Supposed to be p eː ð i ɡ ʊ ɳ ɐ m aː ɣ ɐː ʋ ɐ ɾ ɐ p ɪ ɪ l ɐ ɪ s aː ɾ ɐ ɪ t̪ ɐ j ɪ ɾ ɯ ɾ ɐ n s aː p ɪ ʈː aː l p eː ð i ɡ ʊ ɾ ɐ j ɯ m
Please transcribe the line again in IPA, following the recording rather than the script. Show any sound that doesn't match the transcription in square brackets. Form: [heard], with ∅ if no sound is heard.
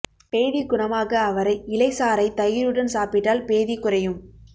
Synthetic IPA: p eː ð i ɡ ʊ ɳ ɐ m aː ɣ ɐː ʋ ɐ ɾ ɐ [∅] ɪ ɪ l ɐ ɪ s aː ɾ ɐ ɪ t̪ ɐ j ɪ ɾ ɯ [ɽ] ɐ n s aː p ɪ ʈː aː l p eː ð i [k] ʊ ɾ ɐ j ɯ m